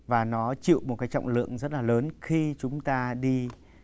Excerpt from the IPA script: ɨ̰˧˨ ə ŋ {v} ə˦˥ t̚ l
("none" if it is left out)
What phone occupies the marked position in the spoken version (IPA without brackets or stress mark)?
z